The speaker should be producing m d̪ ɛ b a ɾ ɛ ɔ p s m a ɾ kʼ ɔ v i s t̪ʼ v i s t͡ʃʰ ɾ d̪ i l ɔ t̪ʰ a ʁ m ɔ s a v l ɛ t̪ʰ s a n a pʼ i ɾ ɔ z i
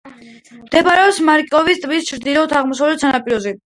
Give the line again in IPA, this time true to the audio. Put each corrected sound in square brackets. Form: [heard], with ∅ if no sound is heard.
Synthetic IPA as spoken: m d̪ ɛ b a ɾ ɛ ɔ p s m a ɾ kʼ ɔ v i s t̪ʼ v i s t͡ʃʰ ɾ d̪ i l ɔ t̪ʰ a ʁ m ɔ s a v l ɛ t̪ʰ s a n a pʼ i ɾ ɔ z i

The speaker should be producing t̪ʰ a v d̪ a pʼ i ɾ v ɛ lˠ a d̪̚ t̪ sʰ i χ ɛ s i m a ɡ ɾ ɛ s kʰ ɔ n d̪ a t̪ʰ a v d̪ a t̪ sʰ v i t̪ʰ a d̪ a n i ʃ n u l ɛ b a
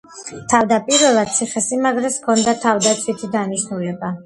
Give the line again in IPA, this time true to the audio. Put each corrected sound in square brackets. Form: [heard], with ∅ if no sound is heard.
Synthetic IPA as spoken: t̪ʰ a v d̪ a pʼ i ɾ v ɛ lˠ a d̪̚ t̪ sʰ i χ ɛ s i m a ɡ ɾ ɛ s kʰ ɔ n d̪ a t̪ʰ a v d̪ a t̪ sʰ [w] i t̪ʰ [i] d̪ a n i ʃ n u l ɛ b a

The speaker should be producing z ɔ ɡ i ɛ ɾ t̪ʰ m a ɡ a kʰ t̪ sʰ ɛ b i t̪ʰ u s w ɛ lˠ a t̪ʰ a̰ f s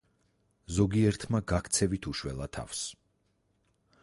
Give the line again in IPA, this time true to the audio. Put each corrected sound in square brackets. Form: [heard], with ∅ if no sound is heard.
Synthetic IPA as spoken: z ɔ ɡ i ɛ ɾ t̪ʰ m a ɡ a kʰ t̪ sʰ ɛ [v] i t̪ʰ u [ʃ] w ɛ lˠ a t̪ʰ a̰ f s

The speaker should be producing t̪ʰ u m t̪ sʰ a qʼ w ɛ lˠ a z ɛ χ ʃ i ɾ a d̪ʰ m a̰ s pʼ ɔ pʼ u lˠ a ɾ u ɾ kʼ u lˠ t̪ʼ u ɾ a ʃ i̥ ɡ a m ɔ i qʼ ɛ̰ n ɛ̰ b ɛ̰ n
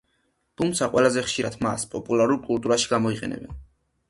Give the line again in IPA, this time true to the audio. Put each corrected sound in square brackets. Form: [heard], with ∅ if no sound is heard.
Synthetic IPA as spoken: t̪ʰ u m t̪ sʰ a qʼ w ɛ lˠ a z ɛ χ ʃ i ɾ a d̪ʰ m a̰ s pʼ ɔ pʼ u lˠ a ɾ u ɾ kʼ u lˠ t̪ʼ u ɾ a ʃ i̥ ɡ a m ɔ i qʼ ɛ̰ n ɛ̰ b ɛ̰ n

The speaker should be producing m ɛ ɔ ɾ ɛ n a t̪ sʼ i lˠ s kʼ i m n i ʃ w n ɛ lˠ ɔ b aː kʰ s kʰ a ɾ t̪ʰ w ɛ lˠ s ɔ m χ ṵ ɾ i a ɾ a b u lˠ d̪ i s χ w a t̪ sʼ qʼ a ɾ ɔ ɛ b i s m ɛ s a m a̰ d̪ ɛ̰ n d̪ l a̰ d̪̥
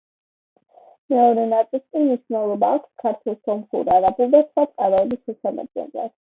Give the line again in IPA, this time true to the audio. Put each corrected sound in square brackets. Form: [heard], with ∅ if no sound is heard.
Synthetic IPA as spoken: m ɛ ɔ ɾ ɛ n a t̪ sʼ i lˠ s kʼ i m n i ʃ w n ɛ lˠ ɔ b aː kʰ s kʰ a ɾ t̪ʰ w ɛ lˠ s ɔ m χ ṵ ɾ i a ɾ a b u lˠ d̪ [a] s χ w a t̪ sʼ qʼ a ɾ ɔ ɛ b i s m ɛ s a m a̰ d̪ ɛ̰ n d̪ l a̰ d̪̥

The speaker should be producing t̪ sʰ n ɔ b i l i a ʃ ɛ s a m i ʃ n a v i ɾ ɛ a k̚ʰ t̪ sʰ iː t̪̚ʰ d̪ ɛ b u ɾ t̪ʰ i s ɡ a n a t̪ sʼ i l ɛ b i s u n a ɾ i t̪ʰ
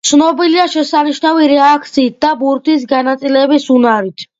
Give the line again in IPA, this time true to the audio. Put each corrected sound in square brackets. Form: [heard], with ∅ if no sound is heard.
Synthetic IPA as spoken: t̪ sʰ n ɔ b i l i a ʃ ɛ s a [n] i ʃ n a v i ɾ ɛ a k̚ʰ t̪ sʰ iː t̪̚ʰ d̪ [a] b u ɾ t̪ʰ i s ɡ a n a t̪ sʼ i l ɛ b i s u n a ɾ i t̪ʰ

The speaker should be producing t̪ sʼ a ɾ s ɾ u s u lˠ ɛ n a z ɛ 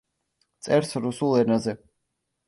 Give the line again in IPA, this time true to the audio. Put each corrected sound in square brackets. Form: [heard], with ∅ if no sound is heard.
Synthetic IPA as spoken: t̪ sʼ [ɛ] ɾ s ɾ u s u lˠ ɛ n a z ɛ

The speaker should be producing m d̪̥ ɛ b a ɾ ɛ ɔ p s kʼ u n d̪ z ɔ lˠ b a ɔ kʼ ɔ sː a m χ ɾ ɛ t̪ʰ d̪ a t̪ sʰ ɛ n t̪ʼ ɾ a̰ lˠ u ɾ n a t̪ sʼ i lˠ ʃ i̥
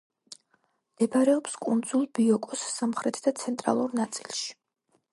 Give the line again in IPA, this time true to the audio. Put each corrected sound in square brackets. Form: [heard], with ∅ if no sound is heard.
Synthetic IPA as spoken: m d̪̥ ɛ b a ɾ ɛ ɔ p s kʼ u n d̪ z [u] lˠ b [i] ɔ kʼ ɔ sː a m χ ɾ ɛ t̪ʰ d̪ a t̪ sʰ ɛ n t̪ʼ ɾ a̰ lˠ u ɾ n a t̪ sʼ i lˠ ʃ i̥

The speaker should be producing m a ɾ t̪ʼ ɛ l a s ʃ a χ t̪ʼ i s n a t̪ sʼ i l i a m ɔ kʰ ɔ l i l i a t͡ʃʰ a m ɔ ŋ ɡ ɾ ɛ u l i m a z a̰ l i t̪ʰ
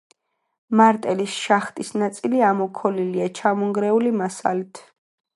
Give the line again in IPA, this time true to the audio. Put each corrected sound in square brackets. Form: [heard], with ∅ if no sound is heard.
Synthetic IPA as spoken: m a ɾ t̪ʼ ɛ l [i] s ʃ a χ t̪ʼ i s n a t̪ sʼ i l i a m ɔ kʰ ɔ l i l i a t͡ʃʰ a m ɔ ŋ ɡ ɾ ɛ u l i m a [s] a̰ l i t̪ʰ

